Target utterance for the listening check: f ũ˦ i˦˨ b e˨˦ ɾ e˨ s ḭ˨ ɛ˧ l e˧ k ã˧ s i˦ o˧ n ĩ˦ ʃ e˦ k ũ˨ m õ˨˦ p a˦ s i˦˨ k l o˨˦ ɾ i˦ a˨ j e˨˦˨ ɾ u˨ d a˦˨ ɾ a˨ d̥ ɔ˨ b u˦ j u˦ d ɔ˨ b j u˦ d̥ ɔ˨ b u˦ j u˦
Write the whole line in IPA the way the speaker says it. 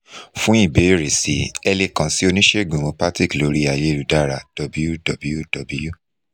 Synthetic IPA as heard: f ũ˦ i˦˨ b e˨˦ ɾ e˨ s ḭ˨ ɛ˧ l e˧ k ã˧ s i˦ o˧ n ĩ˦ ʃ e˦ ɡ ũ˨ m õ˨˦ p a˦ t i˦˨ k l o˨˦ ɾ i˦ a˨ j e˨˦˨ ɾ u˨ d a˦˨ ɾ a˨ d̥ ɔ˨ b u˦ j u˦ d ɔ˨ b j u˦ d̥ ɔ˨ b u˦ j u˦